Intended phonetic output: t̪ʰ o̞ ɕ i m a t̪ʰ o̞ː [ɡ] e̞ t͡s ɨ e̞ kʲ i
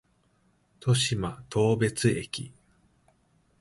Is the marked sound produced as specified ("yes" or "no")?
no